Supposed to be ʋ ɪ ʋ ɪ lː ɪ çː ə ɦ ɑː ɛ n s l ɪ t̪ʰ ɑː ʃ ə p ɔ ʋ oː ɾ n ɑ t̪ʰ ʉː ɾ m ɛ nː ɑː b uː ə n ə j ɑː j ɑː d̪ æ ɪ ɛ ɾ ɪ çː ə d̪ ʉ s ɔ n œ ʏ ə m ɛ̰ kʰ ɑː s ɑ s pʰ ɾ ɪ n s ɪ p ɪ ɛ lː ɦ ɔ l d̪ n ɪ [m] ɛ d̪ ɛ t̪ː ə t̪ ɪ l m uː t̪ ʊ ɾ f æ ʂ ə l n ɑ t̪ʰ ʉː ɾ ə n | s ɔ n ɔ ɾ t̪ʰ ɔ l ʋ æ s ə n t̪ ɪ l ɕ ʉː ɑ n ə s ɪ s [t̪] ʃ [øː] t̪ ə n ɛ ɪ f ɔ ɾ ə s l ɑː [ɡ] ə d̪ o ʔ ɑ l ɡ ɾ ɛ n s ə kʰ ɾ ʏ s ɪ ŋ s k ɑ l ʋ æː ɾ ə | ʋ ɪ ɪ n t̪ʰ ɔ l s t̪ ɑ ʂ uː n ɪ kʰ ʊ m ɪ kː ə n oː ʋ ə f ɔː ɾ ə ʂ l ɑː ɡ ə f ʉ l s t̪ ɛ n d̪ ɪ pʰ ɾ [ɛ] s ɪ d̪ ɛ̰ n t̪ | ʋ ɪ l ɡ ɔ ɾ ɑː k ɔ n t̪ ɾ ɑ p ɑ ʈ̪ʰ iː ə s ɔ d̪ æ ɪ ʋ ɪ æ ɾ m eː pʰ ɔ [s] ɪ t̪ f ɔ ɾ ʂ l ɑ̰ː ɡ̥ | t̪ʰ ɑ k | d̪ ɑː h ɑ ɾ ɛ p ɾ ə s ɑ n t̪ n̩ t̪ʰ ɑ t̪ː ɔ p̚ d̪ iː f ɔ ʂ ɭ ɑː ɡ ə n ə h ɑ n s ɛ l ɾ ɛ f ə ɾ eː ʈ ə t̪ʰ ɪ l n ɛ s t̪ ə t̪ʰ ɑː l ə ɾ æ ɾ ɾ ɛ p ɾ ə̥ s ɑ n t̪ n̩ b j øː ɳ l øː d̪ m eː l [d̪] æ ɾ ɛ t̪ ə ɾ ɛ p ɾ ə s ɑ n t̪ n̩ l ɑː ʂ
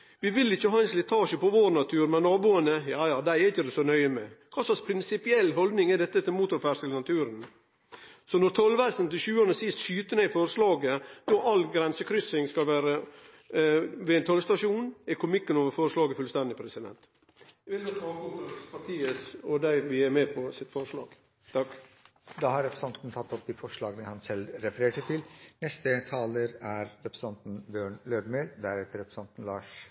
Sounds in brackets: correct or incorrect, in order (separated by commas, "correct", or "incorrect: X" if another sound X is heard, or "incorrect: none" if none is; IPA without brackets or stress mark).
incorrect: ŋ, correct, incorrect: yː, correct, correct, correct, correct